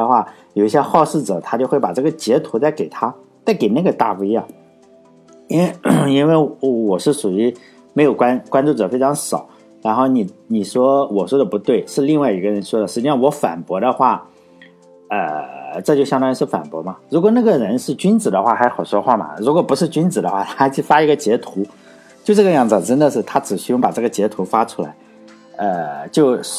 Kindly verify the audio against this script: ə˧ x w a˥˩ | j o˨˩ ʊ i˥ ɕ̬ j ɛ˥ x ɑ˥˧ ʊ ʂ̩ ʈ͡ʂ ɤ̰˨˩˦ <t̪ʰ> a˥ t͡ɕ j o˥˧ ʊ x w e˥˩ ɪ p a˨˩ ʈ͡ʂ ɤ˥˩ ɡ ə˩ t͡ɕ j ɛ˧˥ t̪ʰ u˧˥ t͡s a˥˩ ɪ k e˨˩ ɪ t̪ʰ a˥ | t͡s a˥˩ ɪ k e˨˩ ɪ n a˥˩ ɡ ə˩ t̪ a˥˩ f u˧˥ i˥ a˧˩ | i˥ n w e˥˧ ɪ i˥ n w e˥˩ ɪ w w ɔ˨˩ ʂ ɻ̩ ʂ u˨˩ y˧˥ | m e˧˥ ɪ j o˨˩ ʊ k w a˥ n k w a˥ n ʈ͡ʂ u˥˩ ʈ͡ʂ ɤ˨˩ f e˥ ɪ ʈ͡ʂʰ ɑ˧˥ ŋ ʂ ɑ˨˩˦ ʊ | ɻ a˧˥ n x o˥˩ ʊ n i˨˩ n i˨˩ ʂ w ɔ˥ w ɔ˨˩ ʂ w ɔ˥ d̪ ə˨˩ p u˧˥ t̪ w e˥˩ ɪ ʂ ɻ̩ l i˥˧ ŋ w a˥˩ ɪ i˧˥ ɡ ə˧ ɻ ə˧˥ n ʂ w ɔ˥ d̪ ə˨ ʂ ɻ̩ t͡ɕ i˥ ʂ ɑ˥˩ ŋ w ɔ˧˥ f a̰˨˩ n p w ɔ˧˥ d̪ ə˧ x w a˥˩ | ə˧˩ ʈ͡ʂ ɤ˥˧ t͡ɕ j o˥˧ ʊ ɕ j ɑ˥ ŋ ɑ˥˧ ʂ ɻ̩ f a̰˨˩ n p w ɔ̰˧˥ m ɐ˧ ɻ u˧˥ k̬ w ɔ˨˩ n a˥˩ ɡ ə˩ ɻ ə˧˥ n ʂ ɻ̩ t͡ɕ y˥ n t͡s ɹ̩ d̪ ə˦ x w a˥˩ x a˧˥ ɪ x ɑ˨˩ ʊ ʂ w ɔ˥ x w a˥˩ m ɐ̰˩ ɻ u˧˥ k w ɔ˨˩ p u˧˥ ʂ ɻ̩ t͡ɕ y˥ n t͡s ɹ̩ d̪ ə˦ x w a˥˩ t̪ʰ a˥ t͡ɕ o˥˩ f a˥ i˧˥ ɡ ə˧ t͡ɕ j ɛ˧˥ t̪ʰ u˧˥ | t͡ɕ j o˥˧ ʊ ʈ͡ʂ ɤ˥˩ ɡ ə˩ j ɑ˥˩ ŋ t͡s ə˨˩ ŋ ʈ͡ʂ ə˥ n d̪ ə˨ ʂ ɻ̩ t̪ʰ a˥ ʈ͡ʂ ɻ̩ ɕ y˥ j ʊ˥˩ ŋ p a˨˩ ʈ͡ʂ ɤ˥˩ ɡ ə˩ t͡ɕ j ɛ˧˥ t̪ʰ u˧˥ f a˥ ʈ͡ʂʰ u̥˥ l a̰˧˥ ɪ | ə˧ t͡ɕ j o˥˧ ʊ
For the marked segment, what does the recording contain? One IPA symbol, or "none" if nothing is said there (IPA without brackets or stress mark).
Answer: t̪ʰ